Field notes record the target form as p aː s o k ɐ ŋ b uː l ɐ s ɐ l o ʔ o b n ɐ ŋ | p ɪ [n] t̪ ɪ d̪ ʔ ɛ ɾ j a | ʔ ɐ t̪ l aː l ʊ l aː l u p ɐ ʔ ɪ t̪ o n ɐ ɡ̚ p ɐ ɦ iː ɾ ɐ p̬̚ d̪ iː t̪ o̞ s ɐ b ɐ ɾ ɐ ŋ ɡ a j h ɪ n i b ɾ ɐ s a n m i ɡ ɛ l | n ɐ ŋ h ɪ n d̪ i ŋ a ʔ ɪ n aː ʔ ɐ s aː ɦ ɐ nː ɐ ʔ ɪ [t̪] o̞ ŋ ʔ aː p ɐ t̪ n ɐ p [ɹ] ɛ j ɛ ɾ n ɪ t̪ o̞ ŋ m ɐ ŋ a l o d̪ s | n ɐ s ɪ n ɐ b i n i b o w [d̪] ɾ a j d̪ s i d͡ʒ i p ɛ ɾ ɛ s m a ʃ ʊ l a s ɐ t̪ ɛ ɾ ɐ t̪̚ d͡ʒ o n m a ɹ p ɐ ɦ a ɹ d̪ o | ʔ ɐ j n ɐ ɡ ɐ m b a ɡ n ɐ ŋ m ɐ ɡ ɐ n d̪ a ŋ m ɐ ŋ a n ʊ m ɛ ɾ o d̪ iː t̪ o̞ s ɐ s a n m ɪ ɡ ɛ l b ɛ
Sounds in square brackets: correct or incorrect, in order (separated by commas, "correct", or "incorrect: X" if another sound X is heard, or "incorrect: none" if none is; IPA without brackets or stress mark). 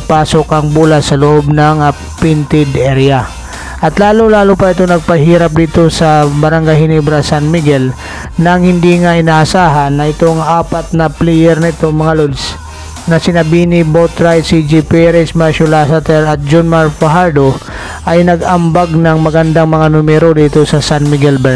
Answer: correct, correct, incorrect: l, incorrect: t̪